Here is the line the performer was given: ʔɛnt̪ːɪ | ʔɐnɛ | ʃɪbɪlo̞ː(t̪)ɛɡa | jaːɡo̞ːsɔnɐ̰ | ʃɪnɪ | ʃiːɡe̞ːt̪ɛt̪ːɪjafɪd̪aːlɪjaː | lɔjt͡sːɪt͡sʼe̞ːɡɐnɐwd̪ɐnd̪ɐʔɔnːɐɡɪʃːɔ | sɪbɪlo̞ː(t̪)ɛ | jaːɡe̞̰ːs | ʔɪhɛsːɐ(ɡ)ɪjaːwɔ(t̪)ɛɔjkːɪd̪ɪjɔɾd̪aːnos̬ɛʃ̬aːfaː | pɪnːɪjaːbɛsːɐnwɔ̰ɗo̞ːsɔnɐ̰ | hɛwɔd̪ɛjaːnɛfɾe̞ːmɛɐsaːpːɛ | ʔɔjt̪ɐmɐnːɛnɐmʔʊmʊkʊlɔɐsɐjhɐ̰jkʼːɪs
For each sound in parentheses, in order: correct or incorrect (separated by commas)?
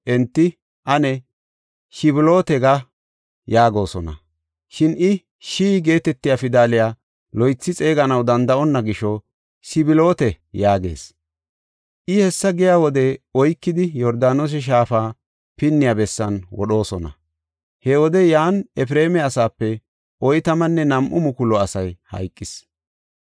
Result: correct, correct, correct, incorrect